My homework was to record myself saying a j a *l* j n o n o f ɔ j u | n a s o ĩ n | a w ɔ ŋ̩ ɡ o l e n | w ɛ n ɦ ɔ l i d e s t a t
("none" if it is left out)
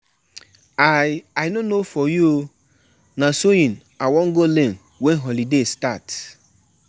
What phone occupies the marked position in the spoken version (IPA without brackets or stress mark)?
none